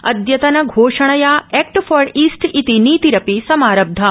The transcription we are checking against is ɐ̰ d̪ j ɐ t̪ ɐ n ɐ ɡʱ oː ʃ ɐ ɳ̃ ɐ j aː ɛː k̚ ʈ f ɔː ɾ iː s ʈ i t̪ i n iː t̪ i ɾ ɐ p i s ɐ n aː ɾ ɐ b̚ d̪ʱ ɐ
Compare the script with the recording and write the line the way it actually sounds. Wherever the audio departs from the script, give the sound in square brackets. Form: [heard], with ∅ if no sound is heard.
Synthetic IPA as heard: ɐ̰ d̪ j ɐ t̪ ɐ n ɐ ɡʱ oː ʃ ɐ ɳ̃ ɐ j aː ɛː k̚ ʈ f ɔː ɾ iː s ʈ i t̪ i n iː t̪ i ɾ ɐ p i s ɐ [m] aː ɾ ɐ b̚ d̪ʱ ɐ